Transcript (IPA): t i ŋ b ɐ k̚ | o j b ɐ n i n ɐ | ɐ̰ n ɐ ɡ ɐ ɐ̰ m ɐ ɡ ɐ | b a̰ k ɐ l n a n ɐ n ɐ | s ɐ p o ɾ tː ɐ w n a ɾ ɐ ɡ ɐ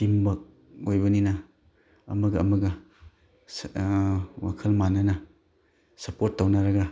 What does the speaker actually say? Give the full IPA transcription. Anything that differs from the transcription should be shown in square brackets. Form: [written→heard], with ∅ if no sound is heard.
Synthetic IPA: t i [ŋ→m] b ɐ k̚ | o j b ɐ n i n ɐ | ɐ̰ [n→m] ɐ ɡ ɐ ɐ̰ m ɐ ɡ ɐ | [b→w] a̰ [k→kʰ] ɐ l [n→m] a n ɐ n ɐ | s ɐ p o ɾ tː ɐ w n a ɾ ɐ ɡ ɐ